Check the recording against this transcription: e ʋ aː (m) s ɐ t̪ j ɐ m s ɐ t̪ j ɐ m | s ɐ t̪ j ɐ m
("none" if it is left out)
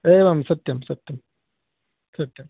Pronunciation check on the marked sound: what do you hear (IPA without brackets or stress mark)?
m